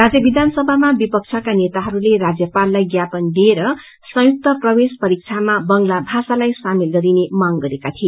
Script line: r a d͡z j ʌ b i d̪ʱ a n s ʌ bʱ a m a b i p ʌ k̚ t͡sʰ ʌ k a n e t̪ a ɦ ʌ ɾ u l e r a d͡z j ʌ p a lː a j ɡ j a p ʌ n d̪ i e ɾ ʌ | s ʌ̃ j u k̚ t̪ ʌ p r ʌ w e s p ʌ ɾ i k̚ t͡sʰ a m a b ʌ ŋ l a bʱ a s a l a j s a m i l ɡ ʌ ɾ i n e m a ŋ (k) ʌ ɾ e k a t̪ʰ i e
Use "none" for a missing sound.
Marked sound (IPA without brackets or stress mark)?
ɡ